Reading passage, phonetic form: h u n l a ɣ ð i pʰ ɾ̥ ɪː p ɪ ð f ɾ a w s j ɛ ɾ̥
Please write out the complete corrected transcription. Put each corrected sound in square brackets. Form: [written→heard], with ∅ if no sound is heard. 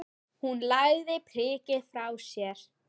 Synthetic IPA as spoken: h u n l a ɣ ð [i→ɪ] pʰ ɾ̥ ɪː [p→c] ɪ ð f ɾ a w s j ɛ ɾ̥